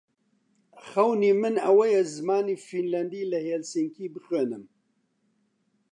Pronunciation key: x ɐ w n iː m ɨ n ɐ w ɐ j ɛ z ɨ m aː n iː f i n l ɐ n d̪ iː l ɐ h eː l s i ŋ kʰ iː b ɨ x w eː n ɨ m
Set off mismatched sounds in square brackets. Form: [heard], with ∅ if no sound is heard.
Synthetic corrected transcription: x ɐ w n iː m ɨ n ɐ w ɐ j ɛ z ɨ m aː n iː f i n l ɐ n d̪ iː l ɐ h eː l s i ŋ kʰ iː b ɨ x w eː n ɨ m